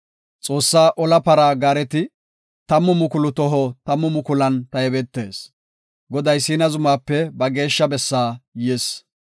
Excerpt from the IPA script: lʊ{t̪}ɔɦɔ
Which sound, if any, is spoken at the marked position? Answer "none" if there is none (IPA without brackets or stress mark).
t̪